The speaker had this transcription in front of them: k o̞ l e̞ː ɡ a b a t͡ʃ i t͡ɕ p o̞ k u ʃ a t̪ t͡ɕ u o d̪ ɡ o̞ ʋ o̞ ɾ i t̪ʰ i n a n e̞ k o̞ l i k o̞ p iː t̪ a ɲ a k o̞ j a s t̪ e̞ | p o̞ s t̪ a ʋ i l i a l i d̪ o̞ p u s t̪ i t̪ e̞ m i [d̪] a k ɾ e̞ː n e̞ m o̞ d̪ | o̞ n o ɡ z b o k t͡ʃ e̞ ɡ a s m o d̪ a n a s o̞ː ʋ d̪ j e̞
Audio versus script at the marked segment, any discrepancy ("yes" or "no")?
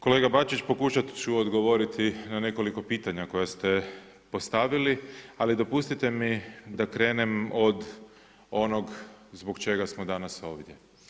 no